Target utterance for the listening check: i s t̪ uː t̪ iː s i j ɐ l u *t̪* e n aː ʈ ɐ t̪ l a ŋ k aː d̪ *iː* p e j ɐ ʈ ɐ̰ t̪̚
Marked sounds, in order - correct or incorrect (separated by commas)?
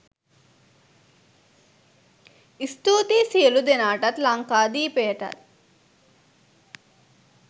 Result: incorrect, correct